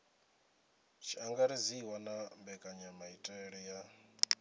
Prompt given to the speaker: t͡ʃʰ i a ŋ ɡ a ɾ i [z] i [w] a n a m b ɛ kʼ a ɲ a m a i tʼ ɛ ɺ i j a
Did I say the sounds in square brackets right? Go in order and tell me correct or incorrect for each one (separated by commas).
correct, correct